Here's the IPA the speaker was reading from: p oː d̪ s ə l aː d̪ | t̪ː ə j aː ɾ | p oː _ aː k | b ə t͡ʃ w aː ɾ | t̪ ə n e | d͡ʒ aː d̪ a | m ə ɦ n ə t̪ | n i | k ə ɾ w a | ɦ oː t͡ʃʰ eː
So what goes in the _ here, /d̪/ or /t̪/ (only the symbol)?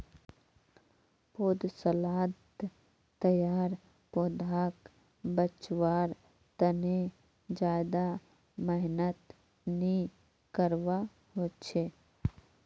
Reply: d̪